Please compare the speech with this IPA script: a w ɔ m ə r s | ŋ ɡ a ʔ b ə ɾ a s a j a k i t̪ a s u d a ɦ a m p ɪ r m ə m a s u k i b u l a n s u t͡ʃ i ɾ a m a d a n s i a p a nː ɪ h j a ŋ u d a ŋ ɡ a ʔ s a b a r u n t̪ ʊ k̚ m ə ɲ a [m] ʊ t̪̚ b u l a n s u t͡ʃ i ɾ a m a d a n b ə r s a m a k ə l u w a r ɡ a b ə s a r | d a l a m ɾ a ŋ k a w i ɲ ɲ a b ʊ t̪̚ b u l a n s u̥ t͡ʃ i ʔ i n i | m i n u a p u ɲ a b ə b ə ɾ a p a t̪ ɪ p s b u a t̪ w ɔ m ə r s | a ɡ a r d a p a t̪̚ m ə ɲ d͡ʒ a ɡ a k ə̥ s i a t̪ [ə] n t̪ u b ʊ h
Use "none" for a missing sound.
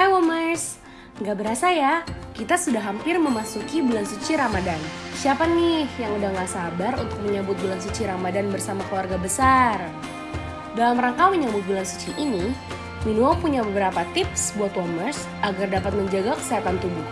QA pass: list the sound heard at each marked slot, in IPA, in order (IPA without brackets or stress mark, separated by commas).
b, a